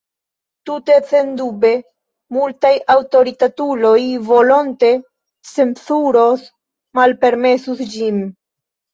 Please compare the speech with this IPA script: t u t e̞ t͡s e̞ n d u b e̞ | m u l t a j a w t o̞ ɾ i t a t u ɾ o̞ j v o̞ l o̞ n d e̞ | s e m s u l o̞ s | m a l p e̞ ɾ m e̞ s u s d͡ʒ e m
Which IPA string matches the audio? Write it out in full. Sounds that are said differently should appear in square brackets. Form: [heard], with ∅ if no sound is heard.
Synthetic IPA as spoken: t u t e̞ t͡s e̞ n d u b e̞ | m u l t a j a w t o̞ ɾ i t a t u [l] o̞ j v o̞ l o̞ n [t] e̞ | s e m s u [ɾ] o̞ s | m a l p e̞ ɾ m e̞ s u s d͡ʒ [i] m